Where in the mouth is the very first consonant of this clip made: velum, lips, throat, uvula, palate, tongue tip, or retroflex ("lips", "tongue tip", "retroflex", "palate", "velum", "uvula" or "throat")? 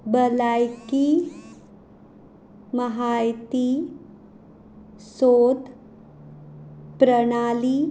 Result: lips